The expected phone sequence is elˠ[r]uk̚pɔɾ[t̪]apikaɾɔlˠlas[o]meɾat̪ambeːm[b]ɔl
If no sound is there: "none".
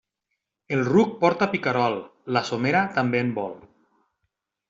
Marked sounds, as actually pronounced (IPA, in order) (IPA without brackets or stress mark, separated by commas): r, t̪, o, b